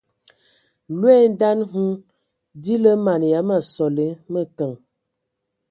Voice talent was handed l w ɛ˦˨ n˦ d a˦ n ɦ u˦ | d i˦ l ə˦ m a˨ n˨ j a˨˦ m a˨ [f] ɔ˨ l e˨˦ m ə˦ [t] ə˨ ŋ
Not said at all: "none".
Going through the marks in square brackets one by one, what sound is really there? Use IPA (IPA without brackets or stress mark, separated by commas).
s, k